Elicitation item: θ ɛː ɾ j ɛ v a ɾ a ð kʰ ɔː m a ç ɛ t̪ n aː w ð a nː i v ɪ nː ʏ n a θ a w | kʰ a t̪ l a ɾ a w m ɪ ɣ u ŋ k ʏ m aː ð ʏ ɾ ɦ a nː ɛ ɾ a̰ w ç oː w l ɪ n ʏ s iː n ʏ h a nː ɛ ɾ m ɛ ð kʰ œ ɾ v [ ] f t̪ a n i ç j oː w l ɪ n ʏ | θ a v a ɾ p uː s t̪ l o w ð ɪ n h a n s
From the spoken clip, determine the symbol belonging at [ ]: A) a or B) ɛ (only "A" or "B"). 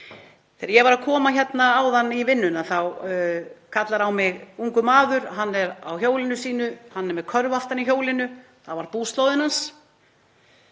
A